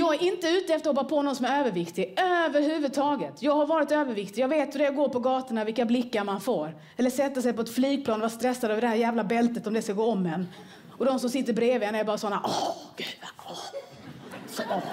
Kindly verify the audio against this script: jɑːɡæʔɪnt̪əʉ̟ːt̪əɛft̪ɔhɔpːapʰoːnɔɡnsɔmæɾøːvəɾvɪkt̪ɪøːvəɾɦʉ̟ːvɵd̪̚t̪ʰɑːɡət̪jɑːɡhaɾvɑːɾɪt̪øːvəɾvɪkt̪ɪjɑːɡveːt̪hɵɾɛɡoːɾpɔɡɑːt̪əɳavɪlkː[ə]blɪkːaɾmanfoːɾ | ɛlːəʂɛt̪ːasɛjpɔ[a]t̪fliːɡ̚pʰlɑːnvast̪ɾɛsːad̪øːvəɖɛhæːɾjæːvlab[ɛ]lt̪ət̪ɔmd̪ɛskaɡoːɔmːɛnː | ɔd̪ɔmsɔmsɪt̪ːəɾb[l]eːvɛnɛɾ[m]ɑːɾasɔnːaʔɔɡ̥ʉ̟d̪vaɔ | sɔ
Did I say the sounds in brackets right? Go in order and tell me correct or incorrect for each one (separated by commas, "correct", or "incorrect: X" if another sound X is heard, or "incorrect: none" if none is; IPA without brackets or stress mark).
incorrect: a, incorrect: ɛ, correct, incorrect: ɾ, incorrect: b